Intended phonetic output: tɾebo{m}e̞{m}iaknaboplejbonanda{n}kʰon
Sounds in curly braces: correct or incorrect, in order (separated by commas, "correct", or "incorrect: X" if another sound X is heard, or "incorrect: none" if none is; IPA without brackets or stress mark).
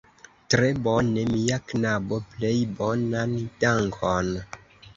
incorrect: n, correct, incorrect: ŋ